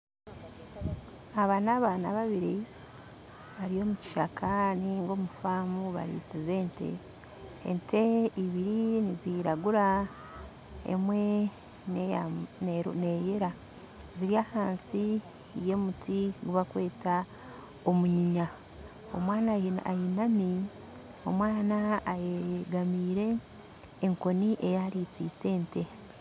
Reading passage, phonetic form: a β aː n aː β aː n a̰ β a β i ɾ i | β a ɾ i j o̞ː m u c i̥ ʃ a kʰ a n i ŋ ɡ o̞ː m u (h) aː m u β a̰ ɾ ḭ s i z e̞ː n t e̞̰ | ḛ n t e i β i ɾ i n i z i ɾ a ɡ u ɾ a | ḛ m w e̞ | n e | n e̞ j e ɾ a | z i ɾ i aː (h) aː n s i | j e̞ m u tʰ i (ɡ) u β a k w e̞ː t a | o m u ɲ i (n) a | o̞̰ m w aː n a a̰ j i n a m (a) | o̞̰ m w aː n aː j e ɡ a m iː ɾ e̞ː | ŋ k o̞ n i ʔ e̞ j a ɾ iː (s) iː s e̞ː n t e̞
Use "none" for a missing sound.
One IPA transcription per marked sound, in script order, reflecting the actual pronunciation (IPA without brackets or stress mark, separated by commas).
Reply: f, h, ɡ, ɲ, i, t͡s